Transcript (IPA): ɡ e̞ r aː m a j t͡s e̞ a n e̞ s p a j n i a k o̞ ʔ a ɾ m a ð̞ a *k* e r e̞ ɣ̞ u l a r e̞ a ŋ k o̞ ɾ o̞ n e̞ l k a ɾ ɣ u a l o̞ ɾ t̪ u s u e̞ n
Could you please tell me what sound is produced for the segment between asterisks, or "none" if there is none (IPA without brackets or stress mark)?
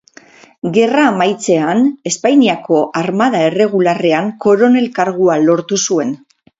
none